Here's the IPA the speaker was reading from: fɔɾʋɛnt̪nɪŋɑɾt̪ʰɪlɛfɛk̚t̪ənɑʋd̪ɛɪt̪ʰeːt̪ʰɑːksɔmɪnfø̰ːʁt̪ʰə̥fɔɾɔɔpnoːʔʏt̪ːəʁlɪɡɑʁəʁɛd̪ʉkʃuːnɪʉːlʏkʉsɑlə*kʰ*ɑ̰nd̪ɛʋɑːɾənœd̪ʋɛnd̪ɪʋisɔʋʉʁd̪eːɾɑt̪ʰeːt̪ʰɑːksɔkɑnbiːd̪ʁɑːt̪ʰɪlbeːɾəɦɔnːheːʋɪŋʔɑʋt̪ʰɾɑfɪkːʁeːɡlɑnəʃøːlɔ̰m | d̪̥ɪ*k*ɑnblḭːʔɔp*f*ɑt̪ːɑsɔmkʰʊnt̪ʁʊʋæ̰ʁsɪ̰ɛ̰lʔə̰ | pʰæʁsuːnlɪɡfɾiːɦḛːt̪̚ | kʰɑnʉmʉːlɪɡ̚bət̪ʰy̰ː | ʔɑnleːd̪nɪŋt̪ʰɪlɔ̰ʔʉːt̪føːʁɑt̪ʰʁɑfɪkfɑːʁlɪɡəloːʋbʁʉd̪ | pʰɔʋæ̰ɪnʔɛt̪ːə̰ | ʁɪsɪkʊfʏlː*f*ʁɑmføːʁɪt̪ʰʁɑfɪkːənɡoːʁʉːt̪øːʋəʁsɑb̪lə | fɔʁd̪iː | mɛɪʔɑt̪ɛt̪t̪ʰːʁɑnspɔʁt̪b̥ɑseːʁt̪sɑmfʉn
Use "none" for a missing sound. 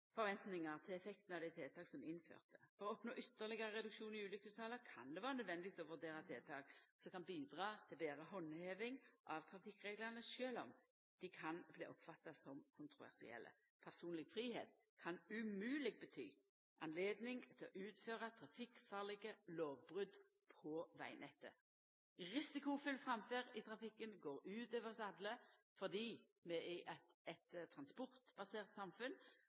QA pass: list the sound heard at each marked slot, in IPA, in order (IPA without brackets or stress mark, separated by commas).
kʰ, kʰ, f, f